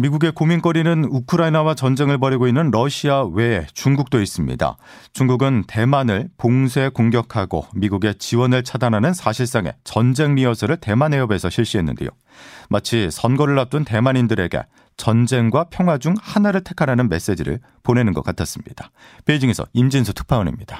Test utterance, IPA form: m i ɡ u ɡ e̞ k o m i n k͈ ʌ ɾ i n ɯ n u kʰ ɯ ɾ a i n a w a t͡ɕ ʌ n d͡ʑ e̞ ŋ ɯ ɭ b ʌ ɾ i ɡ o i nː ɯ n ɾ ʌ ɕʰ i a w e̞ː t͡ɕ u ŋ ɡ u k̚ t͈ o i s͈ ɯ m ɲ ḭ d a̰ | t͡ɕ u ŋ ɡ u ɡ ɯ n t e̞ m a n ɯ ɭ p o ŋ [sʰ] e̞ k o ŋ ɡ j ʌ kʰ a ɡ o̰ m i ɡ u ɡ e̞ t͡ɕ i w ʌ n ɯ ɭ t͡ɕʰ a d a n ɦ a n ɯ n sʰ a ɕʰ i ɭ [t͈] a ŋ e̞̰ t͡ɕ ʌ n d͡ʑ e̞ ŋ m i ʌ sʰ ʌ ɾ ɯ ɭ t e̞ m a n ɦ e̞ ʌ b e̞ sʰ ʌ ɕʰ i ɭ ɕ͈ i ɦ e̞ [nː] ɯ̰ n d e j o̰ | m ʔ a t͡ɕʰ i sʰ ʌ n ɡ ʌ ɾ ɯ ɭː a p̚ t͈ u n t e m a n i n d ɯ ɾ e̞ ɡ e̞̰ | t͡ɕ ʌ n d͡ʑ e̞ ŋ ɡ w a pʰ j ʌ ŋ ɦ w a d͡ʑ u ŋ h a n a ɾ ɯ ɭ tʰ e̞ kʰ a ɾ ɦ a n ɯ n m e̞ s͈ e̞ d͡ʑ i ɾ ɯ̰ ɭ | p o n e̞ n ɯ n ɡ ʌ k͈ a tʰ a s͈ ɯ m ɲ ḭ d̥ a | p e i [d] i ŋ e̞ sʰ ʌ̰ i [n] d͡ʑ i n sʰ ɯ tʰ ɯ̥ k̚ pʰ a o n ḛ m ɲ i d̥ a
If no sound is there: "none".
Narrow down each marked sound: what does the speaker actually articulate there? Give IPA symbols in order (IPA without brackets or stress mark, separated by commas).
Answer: sʰ, s͈, nː, d͡ʑ, m